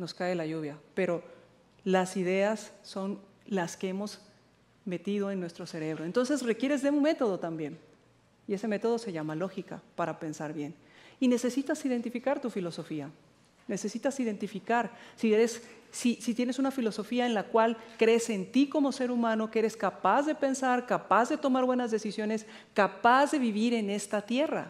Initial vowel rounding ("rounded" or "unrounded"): rounded